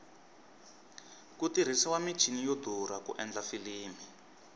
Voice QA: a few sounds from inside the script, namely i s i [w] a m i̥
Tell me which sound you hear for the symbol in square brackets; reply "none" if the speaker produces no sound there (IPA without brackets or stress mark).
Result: w